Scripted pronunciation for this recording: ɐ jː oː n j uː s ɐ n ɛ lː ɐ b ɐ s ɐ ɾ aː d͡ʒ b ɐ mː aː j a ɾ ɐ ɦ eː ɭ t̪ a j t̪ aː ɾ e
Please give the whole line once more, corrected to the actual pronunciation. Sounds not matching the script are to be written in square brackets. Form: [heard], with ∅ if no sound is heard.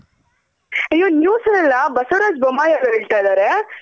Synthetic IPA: ɐ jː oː n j uː s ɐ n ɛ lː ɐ b ɐ s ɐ ɾ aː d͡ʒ b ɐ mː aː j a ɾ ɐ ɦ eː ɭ t̪ a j [d̪] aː ɾ e